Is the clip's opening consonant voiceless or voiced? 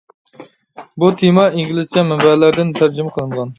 voiced